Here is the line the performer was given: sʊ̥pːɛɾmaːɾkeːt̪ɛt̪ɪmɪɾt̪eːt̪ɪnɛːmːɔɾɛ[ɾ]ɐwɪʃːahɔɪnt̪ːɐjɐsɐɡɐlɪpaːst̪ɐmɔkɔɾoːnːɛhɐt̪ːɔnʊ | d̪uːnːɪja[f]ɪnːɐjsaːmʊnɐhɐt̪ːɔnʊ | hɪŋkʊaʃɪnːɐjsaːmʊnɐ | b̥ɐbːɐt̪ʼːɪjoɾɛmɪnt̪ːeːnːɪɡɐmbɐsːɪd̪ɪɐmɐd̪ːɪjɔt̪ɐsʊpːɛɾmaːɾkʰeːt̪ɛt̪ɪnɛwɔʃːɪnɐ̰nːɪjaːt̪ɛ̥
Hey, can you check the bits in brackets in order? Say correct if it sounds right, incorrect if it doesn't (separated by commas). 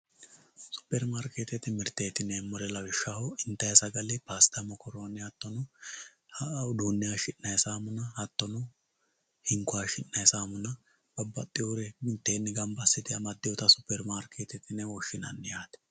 incorrect, incorrect